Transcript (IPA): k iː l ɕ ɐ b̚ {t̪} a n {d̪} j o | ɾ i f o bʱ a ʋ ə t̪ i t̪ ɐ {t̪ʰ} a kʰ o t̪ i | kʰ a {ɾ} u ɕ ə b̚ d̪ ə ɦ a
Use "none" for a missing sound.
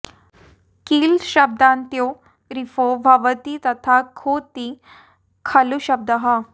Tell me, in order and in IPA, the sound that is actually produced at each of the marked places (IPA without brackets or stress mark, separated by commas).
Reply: d̪, t̪, t̪ʰ, l